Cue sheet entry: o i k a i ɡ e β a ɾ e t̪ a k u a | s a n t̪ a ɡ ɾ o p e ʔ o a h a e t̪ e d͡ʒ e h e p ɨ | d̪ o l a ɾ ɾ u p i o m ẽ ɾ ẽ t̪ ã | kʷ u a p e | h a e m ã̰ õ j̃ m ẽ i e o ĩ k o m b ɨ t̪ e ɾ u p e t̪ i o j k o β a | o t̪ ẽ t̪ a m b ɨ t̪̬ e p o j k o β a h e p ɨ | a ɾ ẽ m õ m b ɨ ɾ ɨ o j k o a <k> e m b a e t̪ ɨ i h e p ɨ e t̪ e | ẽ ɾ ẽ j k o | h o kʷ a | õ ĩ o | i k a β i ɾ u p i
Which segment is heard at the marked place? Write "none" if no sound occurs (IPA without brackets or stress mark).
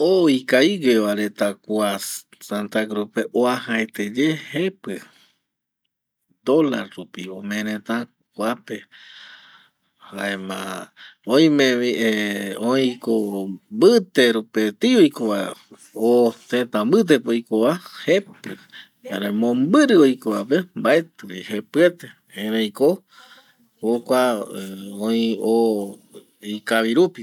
p